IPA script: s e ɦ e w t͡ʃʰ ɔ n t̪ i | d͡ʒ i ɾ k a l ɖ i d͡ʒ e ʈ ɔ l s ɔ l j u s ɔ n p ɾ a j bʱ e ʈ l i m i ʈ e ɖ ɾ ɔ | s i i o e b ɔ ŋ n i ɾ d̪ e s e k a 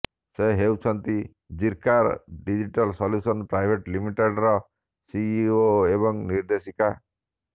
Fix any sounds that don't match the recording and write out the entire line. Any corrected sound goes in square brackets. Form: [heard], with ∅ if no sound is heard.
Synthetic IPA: s e ɦ e w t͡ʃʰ ɔ n t̪ i | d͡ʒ i ɾ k a [ɾ] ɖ i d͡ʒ [i] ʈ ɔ l s ɔ l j u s ɔ n p ɾ a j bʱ e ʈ l i m i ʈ e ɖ ɾ ɔ | s i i o e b ɔ ŋ n i ɾ d̪ e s [i] k a